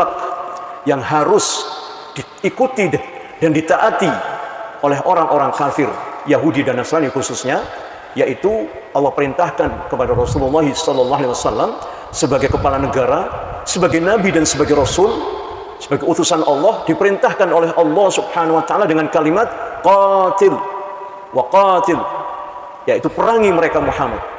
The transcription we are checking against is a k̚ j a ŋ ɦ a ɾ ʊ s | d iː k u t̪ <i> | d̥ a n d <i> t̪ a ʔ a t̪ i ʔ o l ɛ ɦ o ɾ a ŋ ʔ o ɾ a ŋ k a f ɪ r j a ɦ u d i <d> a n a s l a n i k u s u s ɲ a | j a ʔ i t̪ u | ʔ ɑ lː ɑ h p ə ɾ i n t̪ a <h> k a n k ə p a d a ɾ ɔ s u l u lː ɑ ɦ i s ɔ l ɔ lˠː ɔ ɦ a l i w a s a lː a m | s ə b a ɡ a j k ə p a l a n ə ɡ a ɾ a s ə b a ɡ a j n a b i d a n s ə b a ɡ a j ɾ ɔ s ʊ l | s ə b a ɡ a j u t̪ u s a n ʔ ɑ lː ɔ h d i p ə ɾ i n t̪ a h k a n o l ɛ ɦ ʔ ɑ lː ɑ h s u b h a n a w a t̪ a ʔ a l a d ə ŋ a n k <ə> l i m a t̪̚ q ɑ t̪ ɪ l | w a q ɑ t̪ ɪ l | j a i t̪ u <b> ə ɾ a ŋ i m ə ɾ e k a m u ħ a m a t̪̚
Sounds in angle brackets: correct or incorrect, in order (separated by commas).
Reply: correct, correct, correct, correct, incorrect, incorrect